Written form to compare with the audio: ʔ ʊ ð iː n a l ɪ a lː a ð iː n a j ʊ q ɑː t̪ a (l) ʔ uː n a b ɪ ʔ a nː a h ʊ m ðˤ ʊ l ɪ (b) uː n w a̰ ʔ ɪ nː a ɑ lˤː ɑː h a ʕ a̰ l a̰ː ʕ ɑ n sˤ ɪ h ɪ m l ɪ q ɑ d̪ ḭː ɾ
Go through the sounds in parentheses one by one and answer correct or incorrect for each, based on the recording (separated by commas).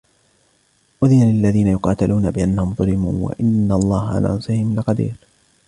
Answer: correct, incorrect